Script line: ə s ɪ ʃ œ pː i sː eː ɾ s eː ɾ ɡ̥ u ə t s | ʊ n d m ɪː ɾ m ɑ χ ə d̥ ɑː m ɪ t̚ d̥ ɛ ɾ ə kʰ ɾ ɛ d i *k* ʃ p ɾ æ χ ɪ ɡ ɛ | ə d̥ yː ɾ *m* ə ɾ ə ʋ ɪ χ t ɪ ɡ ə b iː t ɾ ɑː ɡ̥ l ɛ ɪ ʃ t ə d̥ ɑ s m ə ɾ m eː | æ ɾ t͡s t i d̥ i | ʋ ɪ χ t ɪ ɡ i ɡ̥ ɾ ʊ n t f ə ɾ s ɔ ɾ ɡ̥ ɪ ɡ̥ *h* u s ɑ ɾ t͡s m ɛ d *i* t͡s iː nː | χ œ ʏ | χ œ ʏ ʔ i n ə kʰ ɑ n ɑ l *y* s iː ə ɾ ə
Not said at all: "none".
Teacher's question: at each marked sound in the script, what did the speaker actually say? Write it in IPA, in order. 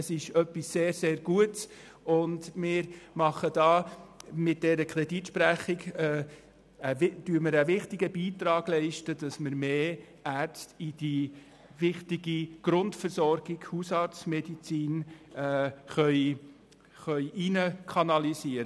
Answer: t, m, h, i, i

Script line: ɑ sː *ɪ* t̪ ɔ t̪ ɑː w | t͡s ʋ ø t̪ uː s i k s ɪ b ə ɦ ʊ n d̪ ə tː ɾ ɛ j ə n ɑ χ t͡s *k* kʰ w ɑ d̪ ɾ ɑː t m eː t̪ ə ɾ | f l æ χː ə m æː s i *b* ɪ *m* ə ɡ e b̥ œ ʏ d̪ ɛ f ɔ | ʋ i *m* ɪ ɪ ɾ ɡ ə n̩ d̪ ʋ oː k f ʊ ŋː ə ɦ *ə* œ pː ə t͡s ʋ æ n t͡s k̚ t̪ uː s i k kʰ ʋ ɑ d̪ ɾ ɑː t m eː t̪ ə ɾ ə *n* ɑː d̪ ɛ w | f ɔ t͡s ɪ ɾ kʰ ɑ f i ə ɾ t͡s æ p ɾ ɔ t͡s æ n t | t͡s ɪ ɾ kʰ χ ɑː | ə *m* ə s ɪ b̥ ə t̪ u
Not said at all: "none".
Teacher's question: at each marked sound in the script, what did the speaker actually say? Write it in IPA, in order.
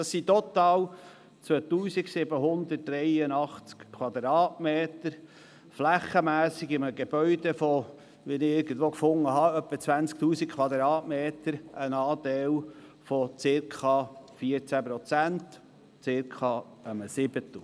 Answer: i, k, ɡ, m, n, ɑ, n, m

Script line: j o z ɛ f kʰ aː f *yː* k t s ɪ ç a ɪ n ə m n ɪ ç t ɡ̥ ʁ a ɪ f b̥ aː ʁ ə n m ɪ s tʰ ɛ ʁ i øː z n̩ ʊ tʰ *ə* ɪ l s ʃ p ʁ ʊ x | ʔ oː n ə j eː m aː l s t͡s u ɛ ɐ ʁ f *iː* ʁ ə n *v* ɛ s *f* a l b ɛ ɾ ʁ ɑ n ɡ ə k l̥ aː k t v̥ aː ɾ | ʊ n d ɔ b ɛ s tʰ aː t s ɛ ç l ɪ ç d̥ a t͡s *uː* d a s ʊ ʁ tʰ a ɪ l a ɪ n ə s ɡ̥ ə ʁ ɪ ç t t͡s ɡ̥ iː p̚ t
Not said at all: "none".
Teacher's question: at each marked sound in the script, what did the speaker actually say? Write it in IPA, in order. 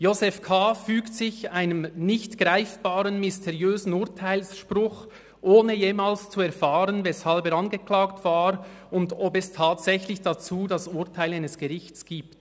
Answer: yː, a, aː, v, h, uː

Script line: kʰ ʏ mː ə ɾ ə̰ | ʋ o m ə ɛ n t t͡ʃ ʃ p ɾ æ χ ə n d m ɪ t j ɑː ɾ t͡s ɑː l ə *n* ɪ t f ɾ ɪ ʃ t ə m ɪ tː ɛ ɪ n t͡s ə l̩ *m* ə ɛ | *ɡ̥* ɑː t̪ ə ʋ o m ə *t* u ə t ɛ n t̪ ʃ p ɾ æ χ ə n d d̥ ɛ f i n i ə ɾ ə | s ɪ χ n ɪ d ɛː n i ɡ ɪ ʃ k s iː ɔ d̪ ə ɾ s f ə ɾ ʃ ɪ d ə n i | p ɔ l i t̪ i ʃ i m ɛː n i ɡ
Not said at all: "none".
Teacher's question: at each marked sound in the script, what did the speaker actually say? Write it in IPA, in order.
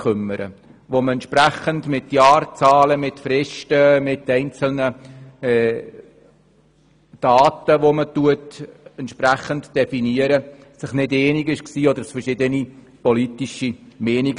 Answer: m, n, d̥, t

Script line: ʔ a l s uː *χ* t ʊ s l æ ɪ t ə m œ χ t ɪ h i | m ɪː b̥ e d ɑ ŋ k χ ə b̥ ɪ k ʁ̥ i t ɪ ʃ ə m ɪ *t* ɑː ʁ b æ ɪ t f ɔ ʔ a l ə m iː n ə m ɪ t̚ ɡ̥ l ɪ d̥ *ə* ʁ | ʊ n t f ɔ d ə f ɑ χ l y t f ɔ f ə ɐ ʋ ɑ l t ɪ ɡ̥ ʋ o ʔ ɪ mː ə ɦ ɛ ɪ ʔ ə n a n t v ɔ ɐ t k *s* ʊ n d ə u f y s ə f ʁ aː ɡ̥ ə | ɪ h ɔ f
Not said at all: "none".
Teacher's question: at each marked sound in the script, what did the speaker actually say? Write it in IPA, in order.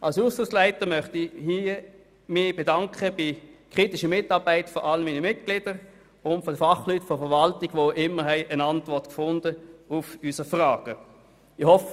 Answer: s, t, ə, f

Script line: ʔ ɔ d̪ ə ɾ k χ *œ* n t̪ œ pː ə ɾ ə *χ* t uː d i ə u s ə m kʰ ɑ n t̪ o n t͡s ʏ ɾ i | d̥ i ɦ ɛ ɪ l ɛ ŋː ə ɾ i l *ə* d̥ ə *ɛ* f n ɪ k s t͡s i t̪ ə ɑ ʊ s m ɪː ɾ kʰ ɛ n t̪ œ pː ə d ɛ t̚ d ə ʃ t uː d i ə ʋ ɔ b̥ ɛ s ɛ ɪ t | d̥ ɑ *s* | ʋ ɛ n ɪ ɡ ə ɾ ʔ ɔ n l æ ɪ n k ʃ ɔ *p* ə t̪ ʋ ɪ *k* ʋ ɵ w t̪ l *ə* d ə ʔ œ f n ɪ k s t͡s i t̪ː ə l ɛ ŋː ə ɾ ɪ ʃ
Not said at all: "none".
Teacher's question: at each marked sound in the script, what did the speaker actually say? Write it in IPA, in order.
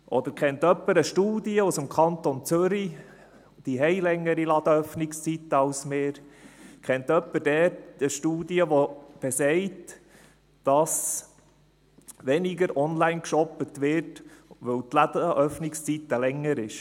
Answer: ɛ, ʃ, ɑ, œ, s, p, t, ɑ

